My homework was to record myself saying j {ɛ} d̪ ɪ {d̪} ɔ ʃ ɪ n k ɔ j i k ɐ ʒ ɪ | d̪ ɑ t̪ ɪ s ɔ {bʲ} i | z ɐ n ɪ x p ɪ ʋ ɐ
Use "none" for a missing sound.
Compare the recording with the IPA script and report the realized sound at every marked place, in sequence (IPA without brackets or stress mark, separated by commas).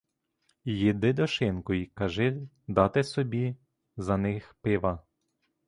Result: i, d̪, bʲ